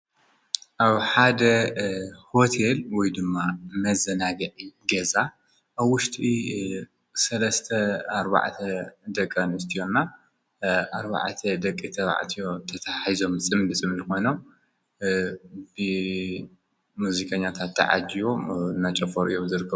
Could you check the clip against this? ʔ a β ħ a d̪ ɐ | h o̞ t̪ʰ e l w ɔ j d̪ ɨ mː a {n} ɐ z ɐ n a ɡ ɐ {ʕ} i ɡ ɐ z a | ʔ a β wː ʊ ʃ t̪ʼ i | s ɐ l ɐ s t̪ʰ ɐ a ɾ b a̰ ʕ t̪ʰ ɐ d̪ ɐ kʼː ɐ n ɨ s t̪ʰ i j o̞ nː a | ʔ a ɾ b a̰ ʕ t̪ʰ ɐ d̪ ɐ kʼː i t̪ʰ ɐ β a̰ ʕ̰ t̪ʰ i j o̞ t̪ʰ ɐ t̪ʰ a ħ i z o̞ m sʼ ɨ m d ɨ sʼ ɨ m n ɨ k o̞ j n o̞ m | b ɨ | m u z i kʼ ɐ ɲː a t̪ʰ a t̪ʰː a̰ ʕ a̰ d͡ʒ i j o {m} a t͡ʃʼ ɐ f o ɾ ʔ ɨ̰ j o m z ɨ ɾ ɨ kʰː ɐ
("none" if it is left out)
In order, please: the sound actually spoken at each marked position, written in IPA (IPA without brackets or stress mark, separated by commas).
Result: m, ʕ, n